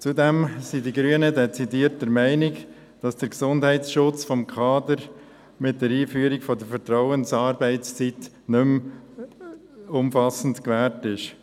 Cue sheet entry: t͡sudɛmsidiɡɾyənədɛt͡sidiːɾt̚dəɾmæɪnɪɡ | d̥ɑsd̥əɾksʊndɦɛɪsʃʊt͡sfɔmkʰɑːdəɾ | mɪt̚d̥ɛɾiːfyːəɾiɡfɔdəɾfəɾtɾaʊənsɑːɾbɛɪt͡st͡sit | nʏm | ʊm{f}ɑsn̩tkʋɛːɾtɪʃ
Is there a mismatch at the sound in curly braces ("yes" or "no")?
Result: no